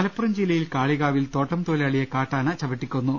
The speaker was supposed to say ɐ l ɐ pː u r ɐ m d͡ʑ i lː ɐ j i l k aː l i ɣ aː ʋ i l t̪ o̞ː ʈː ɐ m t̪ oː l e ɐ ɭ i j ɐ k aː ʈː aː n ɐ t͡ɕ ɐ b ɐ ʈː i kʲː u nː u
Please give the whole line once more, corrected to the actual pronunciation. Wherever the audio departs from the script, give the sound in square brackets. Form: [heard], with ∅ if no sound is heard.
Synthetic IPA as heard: ɐ l ɐ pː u r ɐ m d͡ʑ i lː ɐ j i l k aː [ɭ] i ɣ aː ʋ i l t̪ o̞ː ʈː ɐ m t̪ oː l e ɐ ɭ i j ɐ k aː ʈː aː n ɐ t͡ɕ ɐ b ɐ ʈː i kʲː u nː u